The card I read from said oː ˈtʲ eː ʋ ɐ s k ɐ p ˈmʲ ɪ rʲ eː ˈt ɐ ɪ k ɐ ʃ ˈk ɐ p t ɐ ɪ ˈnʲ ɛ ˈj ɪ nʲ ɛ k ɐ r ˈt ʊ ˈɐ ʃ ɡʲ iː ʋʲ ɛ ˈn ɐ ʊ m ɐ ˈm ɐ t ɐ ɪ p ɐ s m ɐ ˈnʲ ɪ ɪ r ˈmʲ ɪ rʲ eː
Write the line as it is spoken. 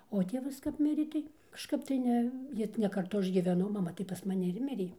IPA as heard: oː ˈtʲ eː ʋ ɐ s k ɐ p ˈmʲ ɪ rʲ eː ˈt ɐ ɪ k ɐ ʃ ˈk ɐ p t ɐ ɪ ˈnʲ ɛ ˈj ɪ nʲ ɛ k ɐ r ˈt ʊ ˈɐ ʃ ɡʲ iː ʋʲ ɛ ˈn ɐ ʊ m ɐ ˈm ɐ t ɐ ɪ p ɐ s m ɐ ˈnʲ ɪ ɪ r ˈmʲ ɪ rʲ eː